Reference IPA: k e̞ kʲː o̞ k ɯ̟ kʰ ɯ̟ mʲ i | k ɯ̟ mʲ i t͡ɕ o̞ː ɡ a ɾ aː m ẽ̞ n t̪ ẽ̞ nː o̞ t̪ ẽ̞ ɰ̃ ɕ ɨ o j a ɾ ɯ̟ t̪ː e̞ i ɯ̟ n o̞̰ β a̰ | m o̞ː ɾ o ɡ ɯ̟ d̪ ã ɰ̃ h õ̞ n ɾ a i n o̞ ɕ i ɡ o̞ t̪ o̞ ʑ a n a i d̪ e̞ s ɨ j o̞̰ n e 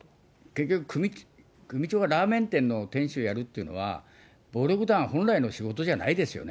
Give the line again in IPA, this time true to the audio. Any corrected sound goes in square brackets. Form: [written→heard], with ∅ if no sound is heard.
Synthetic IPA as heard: k e̞ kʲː o̞ k ɯ̟ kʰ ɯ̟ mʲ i | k ɯ̟ mʲ i t͡ɕ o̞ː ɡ a ɾ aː m ẽ̞ n t̪ ẽ̞ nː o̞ t̪ ẽ̞ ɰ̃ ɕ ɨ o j a ɾ ɯ̟ t̪ː e̞ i ɯ̟ n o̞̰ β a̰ | [m→b] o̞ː ɾ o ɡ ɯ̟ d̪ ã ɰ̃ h õ̞ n ɾ a i n o̞ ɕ i ɡ o̞ t̪ o̞ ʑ a n a i d̪ e̞ s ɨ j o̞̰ n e